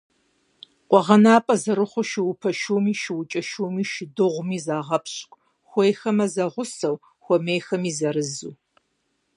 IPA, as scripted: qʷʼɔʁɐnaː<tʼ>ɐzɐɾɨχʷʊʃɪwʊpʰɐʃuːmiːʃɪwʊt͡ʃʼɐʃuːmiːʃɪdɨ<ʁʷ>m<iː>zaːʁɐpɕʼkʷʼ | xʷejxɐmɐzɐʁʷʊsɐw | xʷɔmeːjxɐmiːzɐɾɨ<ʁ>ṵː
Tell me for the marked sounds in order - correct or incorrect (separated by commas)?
incorrect, correct, correct, incorrect